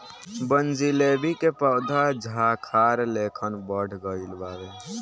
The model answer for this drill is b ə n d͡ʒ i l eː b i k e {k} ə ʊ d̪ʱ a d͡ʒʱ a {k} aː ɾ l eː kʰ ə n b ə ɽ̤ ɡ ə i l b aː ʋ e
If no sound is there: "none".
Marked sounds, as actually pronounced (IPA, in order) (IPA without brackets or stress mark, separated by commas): p, kʰ